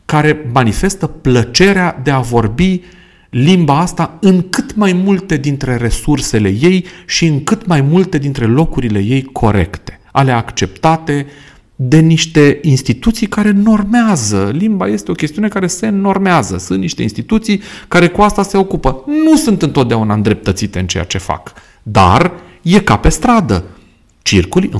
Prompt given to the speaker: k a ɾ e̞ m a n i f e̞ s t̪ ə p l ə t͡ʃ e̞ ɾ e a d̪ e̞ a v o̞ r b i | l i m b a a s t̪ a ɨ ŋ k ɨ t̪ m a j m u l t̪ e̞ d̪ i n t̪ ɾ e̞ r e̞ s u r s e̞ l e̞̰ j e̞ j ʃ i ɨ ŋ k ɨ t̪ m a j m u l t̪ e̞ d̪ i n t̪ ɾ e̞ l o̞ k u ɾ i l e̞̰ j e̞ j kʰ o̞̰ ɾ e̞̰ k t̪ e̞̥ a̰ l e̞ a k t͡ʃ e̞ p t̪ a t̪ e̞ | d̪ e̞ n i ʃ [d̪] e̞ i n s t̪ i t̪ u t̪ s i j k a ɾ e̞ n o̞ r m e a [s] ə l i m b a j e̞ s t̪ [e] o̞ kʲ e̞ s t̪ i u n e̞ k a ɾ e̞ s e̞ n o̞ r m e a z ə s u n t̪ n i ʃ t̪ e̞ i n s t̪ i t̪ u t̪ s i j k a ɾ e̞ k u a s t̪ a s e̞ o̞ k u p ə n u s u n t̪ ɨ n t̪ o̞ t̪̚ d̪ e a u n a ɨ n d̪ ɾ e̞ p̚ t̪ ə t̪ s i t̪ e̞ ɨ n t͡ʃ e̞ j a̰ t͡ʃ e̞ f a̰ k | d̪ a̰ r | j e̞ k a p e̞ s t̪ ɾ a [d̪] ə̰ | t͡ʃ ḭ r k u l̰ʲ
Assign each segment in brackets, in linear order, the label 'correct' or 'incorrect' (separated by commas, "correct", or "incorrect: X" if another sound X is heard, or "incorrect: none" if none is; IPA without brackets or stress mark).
incorrect: t̪, incorrect: z, correct, correct